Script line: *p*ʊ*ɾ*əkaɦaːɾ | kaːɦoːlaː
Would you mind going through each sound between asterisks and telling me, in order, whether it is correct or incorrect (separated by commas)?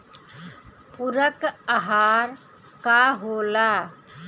correct, correct